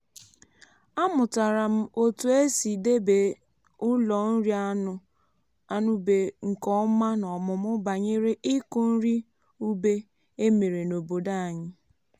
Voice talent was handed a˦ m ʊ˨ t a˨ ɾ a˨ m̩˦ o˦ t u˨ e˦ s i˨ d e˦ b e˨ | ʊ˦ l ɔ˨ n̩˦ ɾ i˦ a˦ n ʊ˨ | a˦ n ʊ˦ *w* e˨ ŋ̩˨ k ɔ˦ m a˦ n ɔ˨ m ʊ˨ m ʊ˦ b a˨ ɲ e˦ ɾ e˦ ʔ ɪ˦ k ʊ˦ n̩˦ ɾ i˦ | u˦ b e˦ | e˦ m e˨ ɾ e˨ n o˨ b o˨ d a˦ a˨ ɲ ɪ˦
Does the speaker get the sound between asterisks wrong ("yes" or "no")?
yes